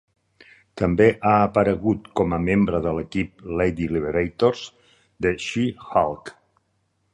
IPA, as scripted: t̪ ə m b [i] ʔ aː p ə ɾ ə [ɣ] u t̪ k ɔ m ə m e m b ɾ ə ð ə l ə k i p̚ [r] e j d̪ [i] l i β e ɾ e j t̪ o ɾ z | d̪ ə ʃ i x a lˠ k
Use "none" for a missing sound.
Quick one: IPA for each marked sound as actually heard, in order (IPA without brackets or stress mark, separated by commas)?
e, ɣ, l, i